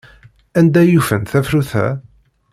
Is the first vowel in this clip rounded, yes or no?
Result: no